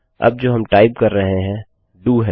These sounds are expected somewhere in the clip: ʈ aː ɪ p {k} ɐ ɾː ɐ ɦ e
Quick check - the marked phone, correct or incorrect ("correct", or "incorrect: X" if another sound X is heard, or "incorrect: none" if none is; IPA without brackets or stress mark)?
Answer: correct